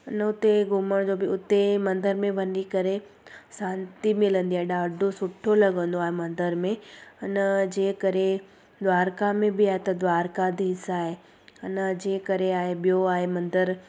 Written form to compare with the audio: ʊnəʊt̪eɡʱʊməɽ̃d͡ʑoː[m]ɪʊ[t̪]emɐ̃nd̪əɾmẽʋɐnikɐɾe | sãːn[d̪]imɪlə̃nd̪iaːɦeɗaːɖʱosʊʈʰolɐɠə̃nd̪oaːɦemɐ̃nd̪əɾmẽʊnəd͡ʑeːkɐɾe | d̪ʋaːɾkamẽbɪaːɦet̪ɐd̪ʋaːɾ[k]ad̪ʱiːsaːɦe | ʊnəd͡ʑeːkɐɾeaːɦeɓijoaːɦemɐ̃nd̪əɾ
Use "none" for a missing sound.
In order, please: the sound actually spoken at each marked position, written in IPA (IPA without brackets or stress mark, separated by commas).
b, t̪, t̪, k